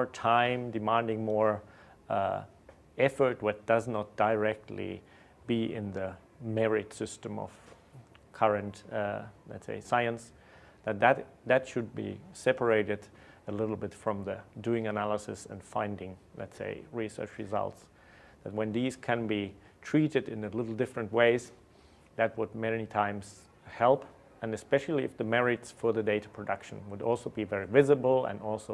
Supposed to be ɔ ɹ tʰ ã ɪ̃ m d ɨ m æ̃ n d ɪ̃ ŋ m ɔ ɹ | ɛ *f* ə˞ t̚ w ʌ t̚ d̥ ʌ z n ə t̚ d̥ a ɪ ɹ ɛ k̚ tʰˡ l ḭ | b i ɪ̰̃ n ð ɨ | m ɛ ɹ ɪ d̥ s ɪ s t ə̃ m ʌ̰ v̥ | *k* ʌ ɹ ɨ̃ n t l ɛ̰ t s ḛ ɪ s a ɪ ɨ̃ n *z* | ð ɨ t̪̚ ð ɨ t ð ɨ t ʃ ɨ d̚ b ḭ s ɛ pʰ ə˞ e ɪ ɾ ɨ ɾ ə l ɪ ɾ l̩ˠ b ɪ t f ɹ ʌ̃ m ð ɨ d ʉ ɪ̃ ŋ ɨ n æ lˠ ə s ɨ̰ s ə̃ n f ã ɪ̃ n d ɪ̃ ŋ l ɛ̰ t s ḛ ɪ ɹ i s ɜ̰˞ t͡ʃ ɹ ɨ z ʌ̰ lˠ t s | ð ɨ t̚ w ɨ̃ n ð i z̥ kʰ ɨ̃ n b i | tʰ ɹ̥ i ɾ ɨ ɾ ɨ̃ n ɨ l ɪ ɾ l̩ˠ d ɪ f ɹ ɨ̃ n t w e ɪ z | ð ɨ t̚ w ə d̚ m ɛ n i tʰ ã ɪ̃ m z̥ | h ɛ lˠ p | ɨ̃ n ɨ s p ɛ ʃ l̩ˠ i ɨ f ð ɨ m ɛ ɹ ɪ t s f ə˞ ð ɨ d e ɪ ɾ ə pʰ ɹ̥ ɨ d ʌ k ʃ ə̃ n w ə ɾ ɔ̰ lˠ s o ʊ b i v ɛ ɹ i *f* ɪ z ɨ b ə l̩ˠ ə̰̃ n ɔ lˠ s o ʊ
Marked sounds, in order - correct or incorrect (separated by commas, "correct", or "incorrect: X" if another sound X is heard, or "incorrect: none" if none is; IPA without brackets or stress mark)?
correct, incorrect: kʰ, incorrect: s, incorrect: v